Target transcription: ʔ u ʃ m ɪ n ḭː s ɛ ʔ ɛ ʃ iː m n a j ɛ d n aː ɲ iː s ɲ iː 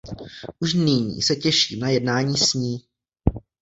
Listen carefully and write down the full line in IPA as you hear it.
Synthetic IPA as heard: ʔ u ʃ n ɪ ɲ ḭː s ɛ c ɛ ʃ iː m n a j ɛ d n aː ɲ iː s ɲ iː

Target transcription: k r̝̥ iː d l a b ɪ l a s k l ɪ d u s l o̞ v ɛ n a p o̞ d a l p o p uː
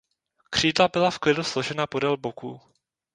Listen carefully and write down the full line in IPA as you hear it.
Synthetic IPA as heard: k r̝̥ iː d l a b ɪ l a f k l ɪ d u s l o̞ ʒ ɛ n a p o̞ d ɛ l b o k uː

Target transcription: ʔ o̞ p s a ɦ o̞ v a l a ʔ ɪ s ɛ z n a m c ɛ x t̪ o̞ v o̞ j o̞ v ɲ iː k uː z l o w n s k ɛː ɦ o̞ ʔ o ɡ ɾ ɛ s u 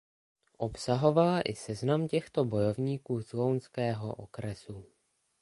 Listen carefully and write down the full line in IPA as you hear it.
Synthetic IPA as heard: ʔ o̞ p s a ɦ o̞ v a l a ʔ ɪ s ɛ z n a m c ɛ x t̪ o̞ b o̞ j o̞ v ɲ iː k uː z l o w n s k ɛː ɦ o̞ ʔ o k ɾ ɛ s u

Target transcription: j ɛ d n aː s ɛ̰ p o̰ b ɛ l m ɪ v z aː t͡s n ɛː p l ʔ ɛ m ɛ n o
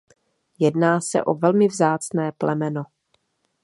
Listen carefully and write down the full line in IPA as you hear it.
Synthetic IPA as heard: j ɛ d n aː s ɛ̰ ʔ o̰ v ɛ l m ɪ v z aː t͡s n ɛː p l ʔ ɛ m ɛ n o

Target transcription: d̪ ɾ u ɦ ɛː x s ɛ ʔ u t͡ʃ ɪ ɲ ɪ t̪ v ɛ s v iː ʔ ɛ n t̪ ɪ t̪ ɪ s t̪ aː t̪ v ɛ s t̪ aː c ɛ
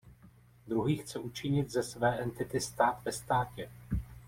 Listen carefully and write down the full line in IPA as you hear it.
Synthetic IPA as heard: d̪ ɾ u ɦ iː x t͡s ɛ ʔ u t͡ʃ ɪ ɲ ɪ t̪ z ɛ s v ɛː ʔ ɛ n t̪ ɪ t̪ ɪ s t̪ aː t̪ v ɛ s t̪ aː c ɛ

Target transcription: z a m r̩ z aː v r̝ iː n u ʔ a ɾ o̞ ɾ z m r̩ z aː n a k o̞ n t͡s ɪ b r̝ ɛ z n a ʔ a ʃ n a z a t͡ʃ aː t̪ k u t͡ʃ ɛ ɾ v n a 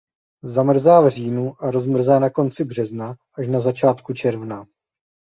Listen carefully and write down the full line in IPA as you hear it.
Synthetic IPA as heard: z a m r̩ z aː v r̝ iː n u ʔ a ɾ o̞ z m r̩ z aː n a k o̞ n t͡s ɪ b r̝ ɛ z n a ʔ a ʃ n a z a t͡ʃ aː t̪ k u t͡ʃ ɛ ɾ v n a

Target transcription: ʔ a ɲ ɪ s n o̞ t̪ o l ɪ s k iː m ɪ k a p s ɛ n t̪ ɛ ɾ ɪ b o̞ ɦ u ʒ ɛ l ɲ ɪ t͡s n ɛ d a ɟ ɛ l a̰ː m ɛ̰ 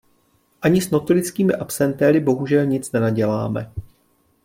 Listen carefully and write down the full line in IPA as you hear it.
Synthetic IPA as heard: ʔ a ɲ ɪ s n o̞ t̪ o l ɪ t͡s k iː m ɪ ʔ a p s ɛ n t̪ ɛ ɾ ɪ b o̞ ɦ u ʒ ɛ l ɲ ɪ t͡s n ɛ n a ɟ ɛ l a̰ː m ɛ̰

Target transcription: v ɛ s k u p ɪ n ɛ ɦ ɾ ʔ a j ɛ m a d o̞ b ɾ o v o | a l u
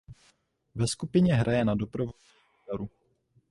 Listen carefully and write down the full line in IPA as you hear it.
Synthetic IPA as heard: v ɛ s k u p ɪ ɲ ɛ ɦ ɾ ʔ a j ɛ n a d o̞ p ɾ o v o | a ɾ u

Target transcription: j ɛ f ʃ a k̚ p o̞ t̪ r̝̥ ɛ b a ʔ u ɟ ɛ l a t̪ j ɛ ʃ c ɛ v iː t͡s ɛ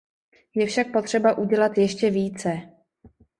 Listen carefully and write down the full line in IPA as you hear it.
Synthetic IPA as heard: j ɛ f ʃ a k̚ p o̞ t̪ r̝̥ ɛ b a ʔ u ɟ ɛ l a t̪ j ɛ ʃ c ɛ v iː t͡s ɛ

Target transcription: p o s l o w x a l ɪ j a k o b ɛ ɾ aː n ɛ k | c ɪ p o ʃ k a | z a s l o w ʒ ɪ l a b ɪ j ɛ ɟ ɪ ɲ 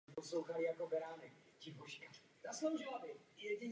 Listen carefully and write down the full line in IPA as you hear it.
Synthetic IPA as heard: p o s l o w x a l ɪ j a k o b ɛ ɾ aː n ɛ k | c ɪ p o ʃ k a | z a s l o w ʒ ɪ l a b ɪ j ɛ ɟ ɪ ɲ

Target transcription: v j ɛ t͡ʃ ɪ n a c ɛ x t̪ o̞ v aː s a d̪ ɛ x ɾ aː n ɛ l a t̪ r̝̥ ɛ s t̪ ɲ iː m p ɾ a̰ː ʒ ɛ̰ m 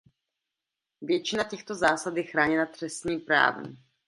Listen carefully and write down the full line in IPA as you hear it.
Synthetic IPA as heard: v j ɛ t͡ʃ ɪ n a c ɛ x t̪ o̞ z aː s a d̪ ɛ x ɾ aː ɲ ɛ l a t̪ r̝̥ ɛ s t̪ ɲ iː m p ɾ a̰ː v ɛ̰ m

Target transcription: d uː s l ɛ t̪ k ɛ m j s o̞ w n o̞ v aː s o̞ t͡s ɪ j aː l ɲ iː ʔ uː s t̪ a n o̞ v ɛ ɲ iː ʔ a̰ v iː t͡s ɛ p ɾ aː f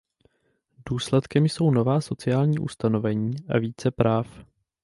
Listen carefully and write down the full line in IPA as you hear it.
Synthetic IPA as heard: d uː s l ɛ t̪ k ɛ m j s o̞ w n o̞ v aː s o̞ t͡s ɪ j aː l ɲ iː ʔ u s t̪ a n o̞ v ɛ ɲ iː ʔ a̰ v iː t͡s ɛ p ɾ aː f

